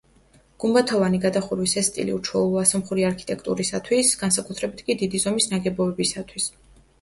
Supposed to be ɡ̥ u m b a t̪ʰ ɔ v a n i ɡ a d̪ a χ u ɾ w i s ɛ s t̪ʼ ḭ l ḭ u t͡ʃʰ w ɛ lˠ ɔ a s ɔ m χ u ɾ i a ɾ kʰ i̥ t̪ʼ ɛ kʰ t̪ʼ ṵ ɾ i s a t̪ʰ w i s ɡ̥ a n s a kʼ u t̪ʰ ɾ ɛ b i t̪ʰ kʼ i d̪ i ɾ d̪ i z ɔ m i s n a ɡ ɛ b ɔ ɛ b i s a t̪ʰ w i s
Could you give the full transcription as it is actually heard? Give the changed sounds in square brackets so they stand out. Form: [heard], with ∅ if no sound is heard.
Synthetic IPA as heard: ɡ̥ u m b a t̪ʰ ɔ v a n i ɡ a d̪ a χ u ɾ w i s ɛ s t̪ʼ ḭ l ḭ u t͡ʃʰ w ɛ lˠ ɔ a s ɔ m χ u ɾ i a ɾ kʰ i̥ t̪ʼ ɛ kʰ t̪ʼ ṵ ɾ i s a t̪ʰ w i s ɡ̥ a n s a kʼ u t̪ʰ ɾ ɛ b i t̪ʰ kʼ i d̪ i [∅] d̪ i z ɔ m i s n a ɡ ɛ b ɔ ɛ b i s a t̪ʰ w i s